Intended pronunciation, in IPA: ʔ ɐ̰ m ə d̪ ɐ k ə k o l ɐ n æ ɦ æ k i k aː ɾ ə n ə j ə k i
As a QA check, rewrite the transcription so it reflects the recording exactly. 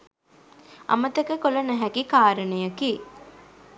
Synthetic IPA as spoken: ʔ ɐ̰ m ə t̪ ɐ k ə k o l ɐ n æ ɦ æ k i k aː ɾ ə n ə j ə k i